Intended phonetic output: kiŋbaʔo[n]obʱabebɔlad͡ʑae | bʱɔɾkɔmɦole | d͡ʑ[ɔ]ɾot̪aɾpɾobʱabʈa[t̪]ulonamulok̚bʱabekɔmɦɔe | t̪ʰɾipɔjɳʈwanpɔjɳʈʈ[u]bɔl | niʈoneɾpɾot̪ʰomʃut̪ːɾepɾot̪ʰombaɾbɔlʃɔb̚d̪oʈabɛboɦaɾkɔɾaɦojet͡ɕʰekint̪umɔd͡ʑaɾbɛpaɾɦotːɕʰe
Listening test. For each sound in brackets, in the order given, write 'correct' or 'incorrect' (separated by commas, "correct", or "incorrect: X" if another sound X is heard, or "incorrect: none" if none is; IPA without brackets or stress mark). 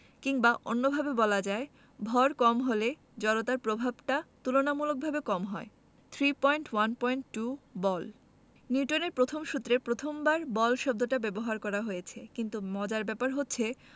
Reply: incorrect: nː, correct, correct, correct